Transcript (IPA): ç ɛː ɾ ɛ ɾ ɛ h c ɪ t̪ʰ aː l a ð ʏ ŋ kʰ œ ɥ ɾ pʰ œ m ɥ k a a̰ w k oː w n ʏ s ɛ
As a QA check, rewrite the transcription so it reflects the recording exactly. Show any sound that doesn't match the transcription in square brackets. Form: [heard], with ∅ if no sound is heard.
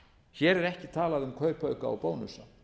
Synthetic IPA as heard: ç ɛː ɾ ɛ ɾ ɛ h c ɪ t̪ʰ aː l a ð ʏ [m] kʰ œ ɥ ɾ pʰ œ [∅] ɥ k a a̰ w [p] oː w n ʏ s [a]